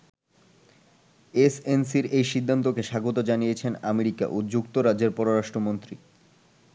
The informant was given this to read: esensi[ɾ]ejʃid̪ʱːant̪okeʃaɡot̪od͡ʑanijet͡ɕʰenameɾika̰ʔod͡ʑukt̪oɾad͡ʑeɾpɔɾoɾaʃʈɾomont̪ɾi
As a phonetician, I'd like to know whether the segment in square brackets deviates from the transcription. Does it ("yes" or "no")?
no